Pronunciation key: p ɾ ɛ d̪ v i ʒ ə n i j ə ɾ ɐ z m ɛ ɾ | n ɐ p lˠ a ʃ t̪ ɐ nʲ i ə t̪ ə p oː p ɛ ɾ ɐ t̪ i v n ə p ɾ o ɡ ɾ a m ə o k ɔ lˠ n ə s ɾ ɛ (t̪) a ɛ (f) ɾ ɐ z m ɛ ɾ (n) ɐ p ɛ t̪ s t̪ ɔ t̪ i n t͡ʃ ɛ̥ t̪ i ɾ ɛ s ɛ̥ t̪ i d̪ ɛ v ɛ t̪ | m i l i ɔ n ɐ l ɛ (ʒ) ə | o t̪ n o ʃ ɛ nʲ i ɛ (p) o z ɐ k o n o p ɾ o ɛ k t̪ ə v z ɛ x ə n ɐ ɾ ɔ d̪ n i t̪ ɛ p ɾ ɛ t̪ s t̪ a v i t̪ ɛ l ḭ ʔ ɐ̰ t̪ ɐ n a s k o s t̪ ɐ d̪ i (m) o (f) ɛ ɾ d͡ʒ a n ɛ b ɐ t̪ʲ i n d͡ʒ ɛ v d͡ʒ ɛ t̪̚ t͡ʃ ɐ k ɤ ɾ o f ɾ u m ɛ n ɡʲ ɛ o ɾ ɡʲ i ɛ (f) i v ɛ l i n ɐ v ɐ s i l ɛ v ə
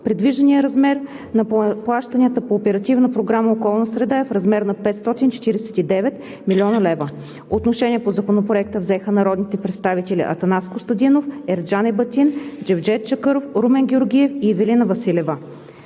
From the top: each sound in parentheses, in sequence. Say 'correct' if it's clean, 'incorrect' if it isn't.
incorrect: d̪, correct, correct, incorrect: v, correct, incorrect: n, correct, correct

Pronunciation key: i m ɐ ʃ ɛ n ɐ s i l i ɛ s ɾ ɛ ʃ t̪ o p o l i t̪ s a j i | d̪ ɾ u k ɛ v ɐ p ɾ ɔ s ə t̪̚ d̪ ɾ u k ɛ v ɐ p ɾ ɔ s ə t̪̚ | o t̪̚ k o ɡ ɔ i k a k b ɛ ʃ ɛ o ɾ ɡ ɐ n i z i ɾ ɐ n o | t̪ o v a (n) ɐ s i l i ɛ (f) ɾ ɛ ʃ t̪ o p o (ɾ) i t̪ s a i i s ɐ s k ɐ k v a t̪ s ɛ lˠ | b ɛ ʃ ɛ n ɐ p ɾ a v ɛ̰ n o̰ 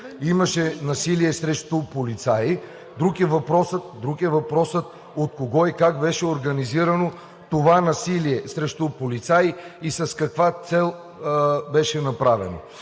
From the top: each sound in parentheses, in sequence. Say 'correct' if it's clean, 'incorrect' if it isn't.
correct, incorrect: s, incorrect: l

